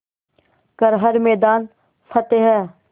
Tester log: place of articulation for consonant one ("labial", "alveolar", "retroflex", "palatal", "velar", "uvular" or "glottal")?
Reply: velar